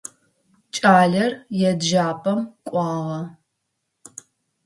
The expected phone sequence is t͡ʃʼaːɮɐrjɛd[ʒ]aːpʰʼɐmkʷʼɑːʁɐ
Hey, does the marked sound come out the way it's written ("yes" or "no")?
yes